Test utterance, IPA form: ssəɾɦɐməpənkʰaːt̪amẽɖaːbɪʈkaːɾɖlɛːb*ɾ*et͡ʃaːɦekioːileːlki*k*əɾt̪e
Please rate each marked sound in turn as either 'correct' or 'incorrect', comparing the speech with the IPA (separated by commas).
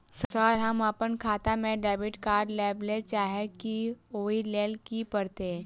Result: incorrect, incorrect